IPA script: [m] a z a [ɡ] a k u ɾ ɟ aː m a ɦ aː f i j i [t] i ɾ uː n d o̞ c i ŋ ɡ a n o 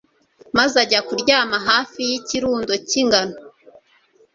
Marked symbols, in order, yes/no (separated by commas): yes, no, no